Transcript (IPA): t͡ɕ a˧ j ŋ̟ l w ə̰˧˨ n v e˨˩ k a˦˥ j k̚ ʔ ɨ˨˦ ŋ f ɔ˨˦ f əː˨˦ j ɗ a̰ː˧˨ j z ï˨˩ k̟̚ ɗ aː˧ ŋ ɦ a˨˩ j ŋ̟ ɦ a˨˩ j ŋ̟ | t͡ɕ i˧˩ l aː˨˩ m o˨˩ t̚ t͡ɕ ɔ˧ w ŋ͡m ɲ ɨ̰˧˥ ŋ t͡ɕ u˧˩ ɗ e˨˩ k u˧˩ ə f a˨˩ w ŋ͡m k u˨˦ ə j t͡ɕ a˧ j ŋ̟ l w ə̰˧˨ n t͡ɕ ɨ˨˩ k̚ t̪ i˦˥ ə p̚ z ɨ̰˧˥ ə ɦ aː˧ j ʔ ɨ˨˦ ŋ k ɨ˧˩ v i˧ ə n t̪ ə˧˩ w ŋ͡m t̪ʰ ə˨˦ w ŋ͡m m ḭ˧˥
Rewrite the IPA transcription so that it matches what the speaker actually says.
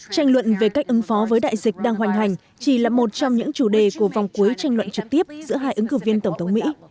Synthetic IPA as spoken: t͡ɕ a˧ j ŋ̟ l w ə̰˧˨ n v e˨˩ k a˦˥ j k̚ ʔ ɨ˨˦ ŋ f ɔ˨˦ v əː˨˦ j ɗ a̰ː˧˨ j z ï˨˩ k̟̚ ɗ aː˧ ŋ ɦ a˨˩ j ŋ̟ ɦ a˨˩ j ŋ̟ | t͡ɕ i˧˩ l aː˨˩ m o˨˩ t̚ t͡ɕ ɔ˧ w ŋ͡m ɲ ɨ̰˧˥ ŋ t͡ɕ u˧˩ ɗ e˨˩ k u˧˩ ə v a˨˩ w ŋ͡m k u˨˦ ə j t͡ɕ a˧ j ŋ̟ l w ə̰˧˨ n t͡ɕ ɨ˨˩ k̚ t̪ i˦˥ ə p̚ z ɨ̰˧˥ ə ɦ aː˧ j ʔ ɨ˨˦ ŋ k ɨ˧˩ v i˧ ə n t̪ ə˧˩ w ŋ͡m t̪ʰ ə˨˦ w ŋ͡m m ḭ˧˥